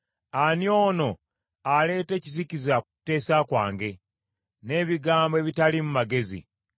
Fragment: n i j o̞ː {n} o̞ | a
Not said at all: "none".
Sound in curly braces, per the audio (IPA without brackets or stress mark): n